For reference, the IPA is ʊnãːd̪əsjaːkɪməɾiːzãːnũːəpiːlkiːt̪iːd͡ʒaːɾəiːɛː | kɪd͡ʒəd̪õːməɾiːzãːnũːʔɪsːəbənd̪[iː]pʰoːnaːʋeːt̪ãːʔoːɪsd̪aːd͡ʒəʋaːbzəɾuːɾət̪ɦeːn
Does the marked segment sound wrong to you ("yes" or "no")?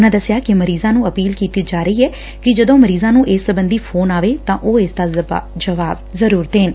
no